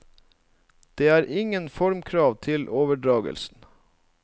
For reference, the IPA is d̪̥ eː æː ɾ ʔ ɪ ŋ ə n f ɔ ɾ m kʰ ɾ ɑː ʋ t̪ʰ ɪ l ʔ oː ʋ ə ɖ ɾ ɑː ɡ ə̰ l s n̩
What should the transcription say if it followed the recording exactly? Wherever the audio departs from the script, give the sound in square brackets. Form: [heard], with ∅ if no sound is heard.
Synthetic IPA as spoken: d̪̥ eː æː ɾ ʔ ɪ ŋ ə n f ɔ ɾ m kʰ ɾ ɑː ʋ t̪ʰ ɪ l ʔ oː ʋ ə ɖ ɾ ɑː ɡ ə̰ l s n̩